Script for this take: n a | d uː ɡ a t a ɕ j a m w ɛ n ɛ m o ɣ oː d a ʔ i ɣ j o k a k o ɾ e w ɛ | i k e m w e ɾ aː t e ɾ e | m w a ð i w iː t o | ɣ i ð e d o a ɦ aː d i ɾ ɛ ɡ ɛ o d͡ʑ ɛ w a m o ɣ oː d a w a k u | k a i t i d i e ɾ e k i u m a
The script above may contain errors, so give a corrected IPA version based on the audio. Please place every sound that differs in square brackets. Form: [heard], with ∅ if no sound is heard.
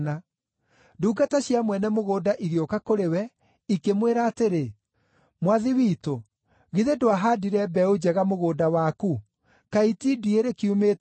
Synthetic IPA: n a | d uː ɡ a t a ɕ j a m w ɛ n ɛ m o ɣ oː d a ʔ i ɣ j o k a k o ɾ e w ɛ | i k e m w e ɾ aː t e ɾ e | m w a ð i w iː t o | ɣ i ð e d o a ɦ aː d i ɾ ɛ [b] ɛ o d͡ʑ ɛ [ɣ] a m o ɣ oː d a w a k u | k a i t i d i e ɾ e k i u m [e]